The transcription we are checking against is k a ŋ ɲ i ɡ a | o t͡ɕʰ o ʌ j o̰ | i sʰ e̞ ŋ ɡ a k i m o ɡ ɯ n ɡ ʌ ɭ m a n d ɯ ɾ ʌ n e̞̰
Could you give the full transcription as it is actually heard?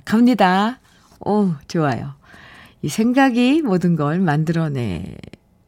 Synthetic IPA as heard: k a m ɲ i d a | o t͡ɕ o a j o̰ | i sʰ e̞ ŋ ɡ a ɡ i m o d ɯ n ɡ ʌ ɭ m a n d ɯ ɾ ʌ n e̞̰